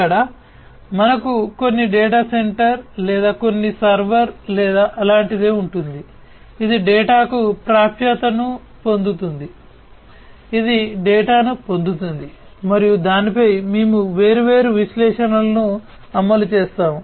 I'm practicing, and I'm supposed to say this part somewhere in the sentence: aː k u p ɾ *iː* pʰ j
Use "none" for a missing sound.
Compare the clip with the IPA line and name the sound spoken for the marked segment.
aː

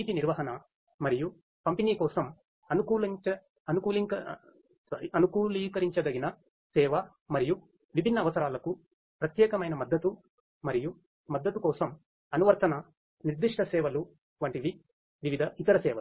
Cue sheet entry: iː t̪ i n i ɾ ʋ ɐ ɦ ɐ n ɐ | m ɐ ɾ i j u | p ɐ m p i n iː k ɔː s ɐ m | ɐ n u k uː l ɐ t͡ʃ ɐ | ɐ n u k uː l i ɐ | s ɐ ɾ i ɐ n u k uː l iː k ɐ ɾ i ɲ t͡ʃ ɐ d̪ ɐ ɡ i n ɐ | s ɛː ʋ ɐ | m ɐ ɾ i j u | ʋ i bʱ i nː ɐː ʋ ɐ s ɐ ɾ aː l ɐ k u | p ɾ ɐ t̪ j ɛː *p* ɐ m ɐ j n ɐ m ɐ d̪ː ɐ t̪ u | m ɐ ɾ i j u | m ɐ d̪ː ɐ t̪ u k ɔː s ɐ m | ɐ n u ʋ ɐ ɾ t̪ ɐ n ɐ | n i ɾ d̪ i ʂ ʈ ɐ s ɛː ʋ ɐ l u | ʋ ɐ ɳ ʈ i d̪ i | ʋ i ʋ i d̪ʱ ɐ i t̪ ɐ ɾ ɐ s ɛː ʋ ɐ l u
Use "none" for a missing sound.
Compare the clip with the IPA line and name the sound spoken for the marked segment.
k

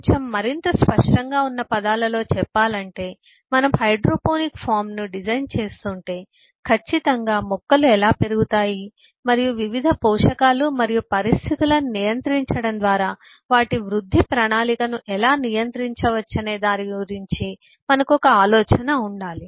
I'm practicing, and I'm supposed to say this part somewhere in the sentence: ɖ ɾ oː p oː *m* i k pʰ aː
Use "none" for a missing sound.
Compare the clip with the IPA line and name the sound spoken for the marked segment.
n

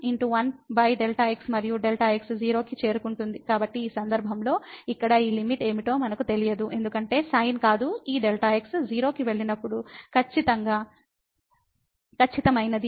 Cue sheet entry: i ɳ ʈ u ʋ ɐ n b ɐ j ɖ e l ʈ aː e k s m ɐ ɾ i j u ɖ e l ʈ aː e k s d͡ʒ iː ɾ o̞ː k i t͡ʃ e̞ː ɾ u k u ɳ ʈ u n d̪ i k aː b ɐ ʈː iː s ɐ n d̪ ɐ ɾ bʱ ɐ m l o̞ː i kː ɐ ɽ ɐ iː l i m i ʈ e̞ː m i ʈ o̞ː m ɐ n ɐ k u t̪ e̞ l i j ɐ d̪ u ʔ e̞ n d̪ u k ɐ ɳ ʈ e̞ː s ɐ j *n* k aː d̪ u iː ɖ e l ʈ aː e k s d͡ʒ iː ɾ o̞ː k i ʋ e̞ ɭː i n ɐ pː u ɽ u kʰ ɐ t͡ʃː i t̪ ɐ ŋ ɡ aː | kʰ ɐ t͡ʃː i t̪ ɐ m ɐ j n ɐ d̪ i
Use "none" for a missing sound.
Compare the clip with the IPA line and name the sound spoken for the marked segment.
n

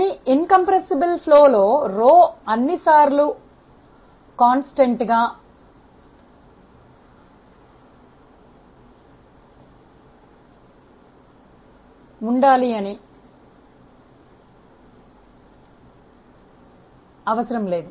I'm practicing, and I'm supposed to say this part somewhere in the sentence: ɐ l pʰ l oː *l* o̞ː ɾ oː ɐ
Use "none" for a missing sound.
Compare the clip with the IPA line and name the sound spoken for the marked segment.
l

